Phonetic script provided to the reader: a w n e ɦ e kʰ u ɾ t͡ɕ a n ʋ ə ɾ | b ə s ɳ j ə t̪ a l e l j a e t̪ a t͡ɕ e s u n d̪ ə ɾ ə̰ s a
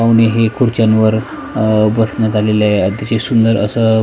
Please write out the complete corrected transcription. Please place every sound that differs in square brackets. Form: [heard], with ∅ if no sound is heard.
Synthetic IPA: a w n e ɦ e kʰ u ɾ t͡ɕ a n ʋ ə ɾ | b ə s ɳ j [a] t̪ a l e l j a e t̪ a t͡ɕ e s u n d̪ ə ɾ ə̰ s [ə]